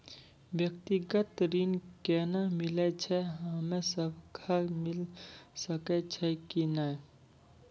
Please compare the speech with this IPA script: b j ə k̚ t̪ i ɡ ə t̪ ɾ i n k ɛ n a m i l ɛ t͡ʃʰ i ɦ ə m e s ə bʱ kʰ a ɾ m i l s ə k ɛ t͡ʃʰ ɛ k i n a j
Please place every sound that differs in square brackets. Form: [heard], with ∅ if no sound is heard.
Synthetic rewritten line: b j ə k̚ t̪ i ɡ ə t̪ ɾ i n k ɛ n a m i l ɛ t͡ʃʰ [ɛ] ɦ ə m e s ə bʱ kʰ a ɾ m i l s ə k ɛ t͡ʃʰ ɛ k i n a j